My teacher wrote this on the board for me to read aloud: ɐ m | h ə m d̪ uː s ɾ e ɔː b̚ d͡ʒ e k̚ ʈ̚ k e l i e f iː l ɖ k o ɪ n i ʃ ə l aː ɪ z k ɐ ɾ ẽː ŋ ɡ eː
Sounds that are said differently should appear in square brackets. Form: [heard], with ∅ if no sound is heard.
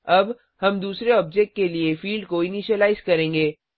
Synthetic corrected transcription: ɐ [b] | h [ɐ] m d̪ uː s ɾ e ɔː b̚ d͡ʒ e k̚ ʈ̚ k e l i e f iː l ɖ k o ɪ n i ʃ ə l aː ɪ z k ɐ ɾ ẽː ŋ ɡ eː